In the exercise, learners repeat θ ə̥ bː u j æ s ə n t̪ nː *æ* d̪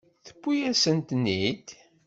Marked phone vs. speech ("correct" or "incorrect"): incorrect